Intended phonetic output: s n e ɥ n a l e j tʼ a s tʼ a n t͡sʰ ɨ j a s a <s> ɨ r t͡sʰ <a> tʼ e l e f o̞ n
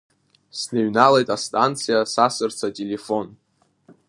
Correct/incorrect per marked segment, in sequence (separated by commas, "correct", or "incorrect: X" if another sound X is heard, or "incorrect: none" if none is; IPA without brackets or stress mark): correct, correct